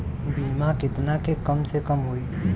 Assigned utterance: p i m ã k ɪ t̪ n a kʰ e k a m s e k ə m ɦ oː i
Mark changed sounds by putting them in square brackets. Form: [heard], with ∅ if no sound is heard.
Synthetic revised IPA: [b] i m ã k ɪ t̪ n a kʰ e k [ə] m s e k ə m ɦ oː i